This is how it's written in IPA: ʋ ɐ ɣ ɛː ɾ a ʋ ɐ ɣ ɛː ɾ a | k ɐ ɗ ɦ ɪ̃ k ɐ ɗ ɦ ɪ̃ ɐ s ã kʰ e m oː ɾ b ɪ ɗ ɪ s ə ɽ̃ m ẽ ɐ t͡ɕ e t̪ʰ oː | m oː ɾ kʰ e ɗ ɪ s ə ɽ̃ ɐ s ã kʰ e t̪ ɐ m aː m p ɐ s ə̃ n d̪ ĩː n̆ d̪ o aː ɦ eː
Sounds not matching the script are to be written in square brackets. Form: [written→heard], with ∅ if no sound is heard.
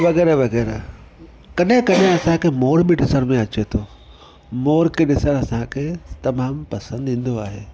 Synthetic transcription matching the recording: ʋ ɐ ɣ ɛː ɾ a ʋ ɐ ɣ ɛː ɾ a | k ɐ ɗ ɦ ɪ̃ k ɐ ɗ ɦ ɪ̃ ɐ s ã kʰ e m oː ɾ b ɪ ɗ ɪ s ə ɽ̃ m ẽ ɐ t͡ɕ e t̪ʰ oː | m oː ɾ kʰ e ɗ ɪ s ə ɽ̃ ɐ s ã kʰ e t̪ ɐ m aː m p ɐ s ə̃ n d̪ ĩː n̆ d̪ o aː ɦ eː